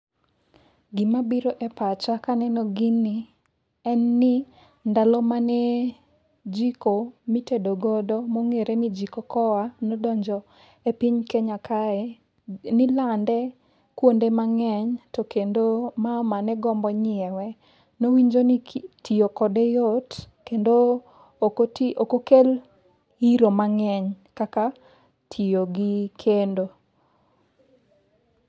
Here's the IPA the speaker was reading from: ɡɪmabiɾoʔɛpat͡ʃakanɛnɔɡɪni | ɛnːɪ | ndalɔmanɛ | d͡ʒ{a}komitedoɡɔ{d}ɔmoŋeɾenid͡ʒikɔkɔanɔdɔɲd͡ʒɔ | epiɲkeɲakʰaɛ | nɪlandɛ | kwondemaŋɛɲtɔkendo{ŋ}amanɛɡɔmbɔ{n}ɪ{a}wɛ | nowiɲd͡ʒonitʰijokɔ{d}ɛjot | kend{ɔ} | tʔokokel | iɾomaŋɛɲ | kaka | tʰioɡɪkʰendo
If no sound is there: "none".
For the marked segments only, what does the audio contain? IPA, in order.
i, d, m, ɲ, ɛ, d, o

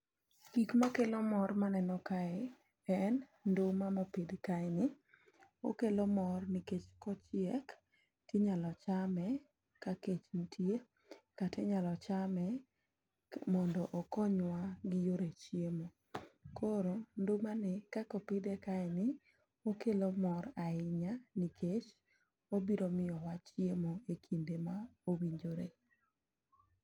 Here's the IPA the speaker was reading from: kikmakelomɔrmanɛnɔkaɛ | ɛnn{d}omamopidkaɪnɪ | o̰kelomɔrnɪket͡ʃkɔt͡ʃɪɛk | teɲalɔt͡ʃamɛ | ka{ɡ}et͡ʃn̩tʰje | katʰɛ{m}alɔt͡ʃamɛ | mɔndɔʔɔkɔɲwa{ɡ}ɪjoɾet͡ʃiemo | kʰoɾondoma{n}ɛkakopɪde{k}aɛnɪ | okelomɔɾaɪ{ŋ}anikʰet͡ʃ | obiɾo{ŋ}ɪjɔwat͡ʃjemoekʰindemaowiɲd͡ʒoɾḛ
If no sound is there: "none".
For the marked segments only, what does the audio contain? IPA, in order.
d, k, ɲ, ɡ, n, k, ɲ, m

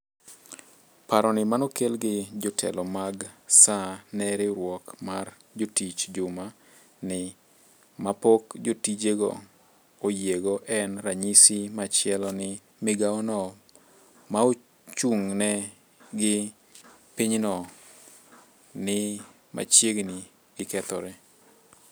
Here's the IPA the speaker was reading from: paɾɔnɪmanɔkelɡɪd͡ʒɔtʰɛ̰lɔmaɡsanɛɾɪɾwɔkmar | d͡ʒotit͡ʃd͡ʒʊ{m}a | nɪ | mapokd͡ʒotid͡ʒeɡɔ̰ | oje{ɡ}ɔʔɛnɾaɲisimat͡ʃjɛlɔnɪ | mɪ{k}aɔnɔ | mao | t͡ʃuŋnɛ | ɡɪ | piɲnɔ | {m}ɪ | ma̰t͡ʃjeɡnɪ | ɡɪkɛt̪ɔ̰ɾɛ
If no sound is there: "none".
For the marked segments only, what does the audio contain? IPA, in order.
m, ɡ, ɡ, n

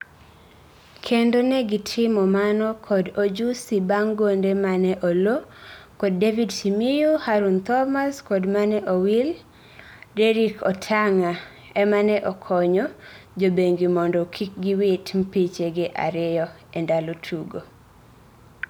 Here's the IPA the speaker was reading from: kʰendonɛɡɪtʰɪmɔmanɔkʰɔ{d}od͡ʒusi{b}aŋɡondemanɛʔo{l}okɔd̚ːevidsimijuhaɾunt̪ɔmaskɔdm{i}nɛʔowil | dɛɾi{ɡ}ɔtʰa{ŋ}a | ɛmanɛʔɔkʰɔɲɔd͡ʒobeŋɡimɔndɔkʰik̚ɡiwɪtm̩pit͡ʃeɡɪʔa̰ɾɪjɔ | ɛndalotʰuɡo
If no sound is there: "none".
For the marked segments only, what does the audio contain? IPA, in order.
d, b, l, a, k, ŋ

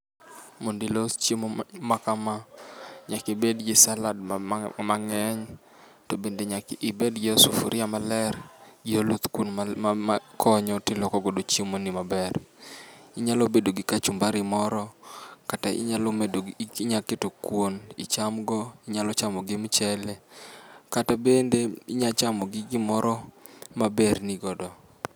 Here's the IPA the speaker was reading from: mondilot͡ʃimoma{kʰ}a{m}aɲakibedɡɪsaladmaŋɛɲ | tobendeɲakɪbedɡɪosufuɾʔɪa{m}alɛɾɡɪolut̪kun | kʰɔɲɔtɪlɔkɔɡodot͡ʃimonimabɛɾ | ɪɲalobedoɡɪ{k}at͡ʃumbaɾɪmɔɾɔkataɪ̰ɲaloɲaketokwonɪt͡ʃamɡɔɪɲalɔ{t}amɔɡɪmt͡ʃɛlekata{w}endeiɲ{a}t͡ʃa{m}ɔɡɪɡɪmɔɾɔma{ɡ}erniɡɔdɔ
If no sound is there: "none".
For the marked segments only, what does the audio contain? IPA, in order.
k, m, m, k, t͡ʃ, b, a, m, b

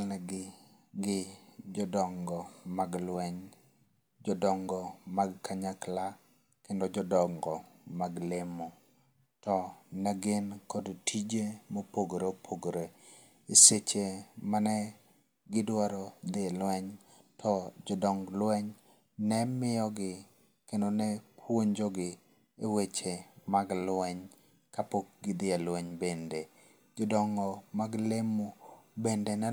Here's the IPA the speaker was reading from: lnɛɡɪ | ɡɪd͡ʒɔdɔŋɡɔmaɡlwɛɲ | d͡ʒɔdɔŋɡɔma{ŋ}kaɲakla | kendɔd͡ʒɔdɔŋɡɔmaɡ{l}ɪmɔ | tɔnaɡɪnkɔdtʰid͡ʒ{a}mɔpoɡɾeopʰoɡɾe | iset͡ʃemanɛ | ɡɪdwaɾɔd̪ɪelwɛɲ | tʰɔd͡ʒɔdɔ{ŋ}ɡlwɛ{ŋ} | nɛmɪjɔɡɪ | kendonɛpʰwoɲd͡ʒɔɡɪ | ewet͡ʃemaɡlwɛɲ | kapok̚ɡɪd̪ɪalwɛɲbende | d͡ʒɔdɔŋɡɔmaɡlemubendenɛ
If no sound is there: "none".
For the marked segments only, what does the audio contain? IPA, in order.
ɡ, l, e, ŋ, ɲ

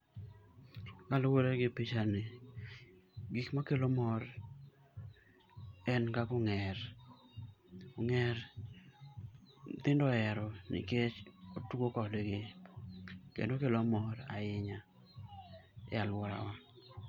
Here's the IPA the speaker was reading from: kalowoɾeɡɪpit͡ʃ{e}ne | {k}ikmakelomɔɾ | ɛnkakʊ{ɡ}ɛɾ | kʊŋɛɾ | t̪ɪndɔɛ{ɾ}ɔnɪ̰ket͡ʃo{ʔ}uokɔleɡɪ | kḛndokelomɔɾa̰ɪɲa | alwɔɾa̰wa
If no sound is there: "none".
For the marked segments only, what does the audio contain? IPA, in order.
a, ɡ, ŋ, ɾ, t

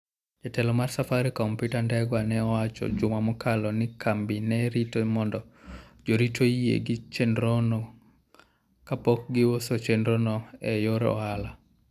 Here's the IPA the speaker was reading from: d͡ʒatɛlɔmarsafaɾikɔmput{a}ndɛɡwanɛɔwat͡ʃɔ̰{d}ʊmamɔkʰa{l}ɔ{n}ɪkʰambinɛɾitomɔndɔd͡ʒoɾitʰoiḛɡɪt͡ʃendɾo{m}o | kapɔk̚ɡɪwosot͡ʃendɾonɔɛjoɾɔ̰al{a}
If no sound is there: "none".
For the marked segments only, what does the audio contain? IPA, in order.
a, d͡ʒ, l, n, n, a

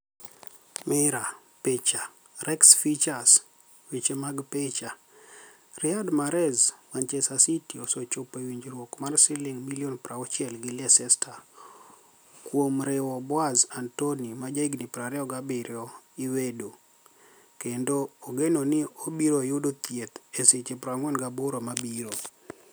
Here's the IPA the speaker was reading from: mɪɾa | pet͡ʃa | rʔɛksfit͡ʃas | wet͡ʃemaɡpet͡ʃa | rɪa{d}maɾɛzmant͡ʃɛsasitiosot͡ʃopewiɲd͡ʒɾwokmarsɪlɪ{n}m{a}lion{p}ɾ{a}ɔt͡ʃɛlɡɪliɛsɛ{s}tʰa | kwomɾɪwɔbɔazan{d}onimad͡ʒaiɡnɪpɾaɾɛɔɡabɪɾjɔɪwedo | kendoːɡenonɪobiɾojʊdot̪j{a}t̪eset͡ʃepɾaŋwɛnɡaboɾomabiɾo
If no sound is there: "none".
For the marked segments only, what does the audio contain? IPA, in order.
d, ŋ, i, p, a, s, t, e

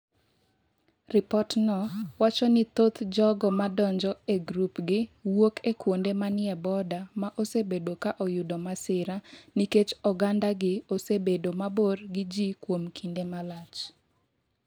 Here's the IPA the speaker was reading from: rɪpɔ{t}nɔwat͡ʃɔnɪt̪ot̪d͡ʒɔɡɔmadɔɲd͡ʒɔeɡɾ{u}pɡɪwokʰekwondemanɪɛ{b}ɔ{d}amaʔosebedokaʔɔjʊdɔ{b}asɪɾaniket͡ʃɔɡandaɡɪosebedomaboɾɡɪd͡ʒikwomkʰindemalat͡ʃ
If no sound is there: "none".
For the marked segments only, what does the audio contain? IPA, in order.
t, u, b, d, m

